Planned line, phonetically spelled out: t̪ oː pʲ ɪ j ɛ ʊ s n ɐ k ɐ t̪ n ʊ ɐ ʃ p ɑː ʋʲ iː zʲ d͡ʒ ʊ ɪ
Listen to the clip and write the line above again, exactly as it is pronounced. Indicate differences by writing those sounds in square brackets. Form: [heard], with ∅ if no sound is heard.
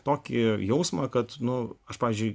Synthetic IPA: t̪ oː [kʲ] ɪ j ɛ ʊ s [m] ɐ k ɐ t̪ n ʊ ɐ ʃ p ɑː ʋʲ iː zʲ d͡ʒ ʊ ɪ